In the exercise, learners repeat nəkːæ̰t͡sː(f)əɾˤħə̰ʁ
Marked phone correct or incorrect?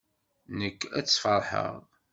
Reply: correct